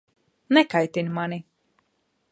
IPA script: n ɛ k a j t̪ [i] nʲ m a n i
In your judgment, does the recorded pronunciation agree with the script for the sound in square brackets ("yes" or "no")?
yes